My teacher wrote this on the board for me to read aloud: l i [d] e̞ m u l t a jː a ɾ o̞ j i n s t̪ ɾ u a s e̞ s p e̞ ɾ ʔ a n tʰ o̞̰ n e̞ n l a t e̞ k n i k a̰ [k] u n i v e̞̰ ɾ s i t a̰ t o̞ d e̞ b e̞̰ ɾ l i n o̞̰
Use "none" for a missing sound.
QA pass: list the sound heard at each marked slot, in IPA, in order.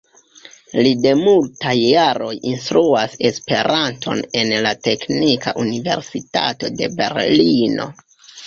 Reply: d, ʔ

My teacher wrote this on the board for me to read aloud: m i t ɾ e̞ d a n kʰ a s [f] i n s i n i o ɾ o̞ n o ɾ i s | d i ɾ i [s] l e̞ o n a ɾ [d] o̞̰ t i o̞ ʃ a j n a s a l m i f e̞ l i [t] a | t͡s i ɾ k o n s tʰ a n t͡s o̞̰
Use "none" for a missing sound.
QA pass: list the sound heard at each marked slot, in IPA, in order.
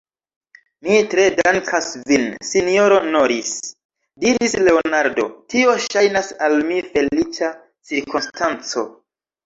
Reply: v, s, d, t͡ʃ

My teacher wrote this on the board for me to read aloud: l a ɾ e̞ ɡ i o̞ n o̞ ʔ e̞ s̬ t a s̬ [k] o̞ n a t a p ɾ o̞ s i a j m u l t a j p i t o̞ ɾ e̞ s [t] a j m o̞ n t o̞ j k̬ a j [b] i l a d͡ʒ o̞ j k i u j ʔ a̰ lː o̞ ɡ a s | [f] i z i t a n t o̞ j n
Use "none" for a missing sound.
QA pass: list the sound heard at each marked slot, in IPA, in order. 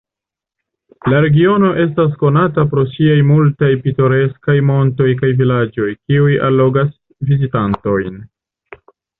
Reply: k, k, v, v

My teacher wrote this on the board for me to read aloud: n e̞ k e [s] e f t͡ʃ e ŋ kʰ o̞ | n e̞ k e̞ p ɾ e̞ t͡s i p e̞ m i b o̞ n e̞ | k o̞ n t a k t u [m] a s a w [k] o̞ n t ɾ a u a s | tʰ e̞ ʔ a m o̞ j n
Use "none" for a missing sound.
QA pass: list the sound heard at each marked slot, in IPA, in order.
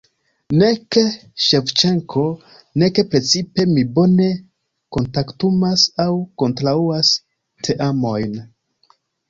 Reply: ʃ, m, k

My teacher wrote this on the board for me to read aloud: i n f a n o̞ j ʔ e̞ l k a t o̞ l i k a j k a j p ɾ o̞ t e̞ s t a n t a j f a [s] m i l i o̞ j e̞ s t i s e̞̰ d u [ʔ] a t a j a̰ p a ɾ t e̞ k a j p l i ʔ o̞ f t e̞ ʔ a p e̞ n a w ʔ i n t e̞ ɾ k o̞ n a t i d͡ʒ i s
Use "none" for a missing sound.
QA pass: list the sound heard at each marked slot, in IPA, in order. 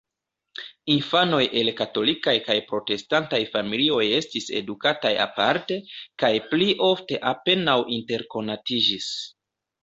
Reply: none, k

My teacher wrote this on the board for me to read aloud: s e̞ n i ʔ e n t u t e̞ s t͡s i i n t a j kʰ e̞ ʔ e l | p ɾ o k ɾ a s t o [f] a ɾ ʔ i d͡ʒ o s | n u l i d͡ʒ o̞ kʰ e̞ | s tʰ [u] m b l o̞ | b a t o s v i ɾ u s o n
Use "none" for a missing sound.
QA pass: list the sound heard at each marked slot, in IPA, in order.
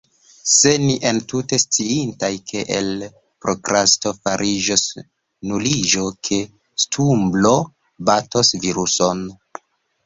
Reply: f, u

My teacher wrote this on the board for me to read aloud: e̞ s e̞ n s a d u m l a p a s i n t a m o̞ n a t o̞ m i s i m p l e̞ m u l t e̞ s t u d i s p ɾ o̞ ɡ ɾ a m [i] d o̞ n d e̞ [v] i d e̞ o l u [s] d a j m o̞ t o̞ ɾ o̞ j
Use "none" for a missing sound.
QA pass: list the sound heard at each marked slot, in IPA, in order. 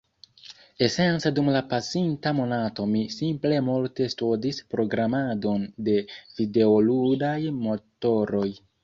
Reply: a, v, none

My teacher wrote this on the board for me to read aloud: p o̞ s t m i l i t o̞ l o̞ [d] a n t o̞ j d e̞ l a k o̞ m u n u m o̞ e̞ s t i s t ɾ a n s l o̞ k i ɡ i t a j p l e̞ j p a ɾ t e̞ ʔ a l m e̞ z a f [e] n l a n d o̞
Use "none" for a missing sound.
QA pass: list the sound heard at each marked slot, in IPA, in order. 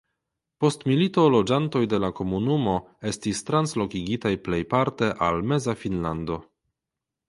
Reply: d͡ʒ, i

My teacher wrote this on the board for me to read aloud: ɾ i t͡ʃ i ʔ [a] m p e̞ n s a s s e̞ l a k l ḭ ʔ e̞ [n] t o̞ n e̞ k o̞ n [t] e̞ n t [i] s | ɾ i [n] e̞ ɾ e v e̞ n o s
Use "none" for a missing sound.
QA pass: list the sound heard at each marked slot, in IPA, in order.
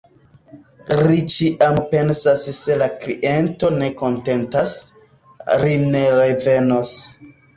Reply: a, n, t, a, n

